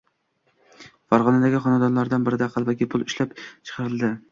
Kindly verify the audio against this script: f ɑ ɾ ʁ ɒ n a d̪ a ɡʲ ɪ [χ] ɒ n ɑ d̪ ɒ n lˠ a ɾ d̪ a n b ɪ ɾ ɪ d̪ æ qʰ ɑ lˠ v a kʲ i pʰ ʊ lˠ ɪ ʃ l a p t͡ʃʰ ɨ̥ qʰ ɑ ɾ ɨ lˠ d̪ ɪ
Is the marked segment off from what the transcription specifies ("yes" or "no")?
no